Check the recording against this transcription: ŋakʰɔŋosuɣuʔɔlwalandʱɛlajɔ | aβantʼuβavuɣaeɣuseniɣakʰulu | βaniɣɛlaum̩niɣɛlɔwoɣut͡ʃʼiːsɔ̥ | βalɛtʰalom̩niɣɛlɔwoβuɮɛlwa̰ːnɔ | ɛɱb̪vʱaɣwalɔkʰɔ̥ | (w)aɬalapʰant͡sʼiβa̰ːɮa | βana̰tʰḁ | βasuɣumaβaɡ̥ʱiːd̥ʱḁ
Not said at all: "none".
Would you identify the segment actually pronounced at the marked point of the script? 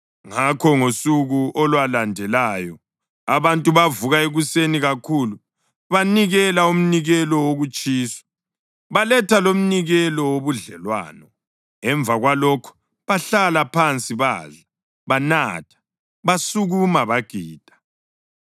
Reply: β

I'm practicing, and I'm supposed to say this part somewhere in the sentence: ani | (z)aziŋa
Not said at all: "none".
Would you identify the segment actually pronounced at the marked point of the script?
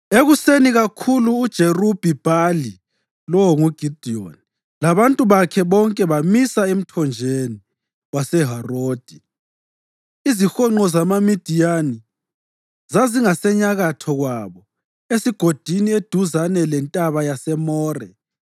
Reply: z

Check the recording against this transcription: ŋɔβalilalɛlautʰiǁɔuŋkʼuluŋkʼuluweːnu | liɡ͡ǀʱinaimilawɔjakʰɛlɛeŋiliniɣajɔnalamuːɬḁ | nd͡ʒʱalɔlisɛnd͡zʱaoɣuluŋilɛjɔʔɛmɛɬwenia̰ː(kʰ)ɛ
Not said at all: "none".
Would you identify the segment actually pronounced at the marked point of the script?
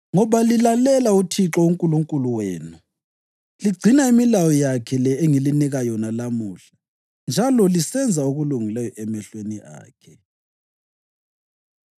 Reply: kʰ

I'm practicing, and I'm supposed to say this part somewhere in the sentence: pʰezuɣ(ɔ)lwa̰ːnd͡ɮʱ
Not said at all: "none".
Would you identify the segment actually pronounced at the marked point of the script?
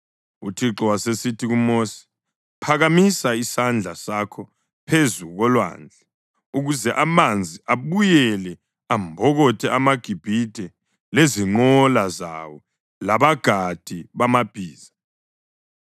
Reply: ɔ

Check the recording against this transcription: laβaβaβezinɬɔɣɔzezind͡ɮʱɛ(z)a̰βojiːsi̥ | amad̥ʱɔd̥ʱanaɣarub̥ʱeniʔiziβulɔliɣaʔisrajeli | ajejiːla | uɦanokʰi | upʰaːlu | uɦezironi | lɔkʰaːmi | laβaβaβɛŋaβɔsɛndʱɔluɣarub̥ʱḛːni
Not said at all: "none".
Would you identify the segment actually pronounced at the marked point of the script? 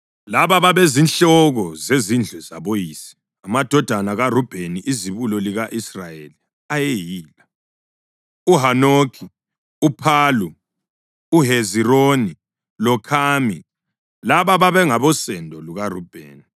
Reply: z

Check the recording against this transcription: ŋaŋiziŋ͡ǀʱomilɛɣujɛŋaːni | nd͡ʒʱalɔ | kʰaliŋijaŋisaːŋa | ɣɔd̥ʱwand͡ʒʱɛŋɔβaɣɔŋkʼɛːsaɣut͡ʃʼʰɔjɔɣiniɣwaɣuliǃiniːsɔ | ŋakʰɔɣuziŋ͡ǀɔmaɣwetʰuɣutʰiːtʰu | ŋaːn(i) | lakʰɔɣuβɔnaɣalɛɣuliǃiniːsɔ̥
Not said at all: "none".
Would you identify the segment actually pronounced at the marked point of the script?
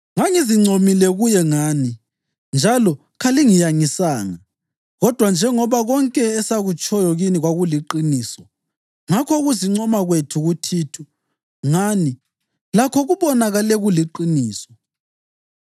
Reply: i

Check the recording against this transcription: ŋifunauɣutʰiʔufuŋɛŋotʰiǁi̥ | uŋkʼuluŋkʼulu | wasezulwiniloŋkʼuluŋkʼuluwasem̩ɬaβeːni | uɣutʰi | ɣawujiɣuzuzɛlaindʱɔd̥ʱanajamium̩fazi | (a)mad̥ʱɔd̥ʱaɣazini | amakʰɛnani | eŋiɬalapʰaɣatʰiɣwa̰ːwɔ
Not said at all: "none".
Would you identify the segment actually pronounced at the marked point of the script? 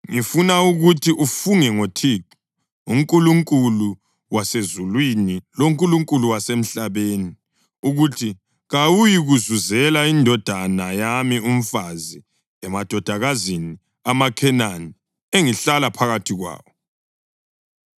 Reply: ɛ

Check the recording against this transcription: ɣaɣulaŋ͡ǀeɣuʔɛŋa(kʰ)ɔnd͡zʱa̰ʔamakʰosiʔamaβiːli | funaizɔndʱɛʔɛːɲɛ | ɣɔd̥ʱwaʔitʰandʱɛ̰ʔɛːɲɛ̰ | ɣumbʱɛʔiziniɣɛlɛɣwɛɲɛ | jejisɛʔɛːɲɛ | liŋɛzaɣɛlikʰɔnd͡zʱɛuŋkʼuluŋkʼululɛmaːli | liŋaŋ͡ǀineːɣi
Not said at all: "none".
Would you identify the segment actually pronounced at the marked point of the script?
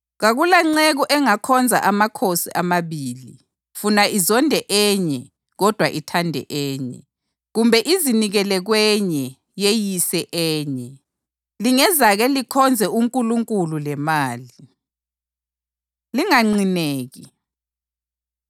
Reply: kʰ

